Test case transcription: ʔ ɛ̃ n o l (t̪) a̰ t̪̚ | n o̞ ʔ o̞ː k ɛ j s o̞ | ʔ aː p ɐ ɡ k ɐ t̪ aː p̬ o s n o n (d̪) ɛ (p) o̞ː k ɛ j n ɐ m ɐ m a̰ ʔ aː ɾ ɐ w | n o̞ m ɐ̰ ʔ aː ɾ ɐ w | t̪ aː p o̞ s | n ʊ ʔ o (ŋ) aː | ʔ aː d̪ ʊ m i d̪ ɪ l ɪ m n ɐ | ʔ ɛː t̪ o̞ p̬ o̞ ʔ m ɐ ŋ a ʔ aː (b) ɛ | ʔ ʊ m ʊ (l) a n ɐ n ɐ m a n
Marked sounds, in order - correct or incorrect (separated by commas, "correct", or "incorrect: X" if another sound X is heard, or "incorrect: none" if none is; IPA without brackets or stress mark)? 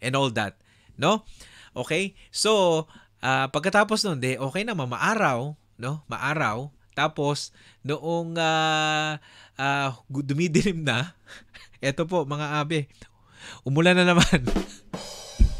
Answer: incorrect: d̪, correct, incorrect: ʔ, correct, correct, correct